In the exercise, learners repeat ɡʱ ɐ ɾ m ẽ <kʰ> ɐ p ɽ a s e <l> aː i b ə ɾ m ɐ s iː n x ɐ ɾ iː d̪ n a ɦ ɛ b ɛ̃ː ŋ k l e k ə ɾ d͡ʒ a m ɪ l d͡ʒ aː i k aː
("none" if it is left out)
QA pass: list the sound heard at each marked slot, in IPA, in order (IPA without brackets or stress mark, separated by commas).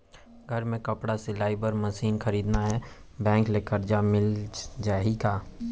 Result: k, l